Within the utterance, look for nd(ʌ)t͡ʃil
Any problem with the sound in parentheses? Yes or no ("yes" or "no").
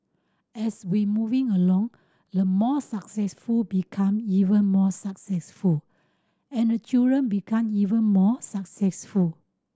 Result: yes